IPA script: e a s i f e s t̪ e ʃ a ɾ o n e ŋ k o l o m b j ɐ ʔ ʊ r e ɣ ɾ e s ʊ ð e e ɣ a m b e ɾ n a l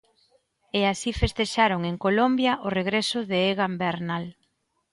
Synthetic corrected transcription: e a s i f e s t̪ e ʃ a ɾ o ŋ e ŋ k o l o m b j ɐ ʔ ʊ r e ɣ ɾ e s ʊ ð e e ɣ a m b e ɾ n a l